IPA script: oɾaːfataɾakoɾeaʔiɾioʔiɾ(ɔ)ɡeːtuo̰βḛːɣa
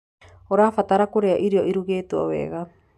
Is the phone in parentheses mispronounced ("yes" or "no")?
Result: yes